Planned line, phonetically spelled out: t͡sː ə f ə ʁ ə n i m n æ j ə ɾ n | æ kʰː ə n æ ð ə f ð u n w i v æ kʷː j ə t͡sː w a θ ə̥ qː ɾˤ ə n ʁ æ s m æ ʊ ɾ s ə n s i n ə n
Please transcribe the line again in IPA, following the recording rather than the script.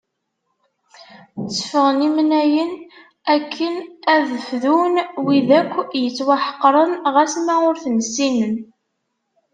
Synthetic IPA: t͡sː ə f ə ʁ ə n i m n æ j ə n | æ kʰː ə n æ ð ə f ð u n w i ð æ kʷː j ə t͡sː w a ħ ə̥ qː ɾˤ ə n ʁ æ s m æ ʊ ɾ θ ə n s i n ə n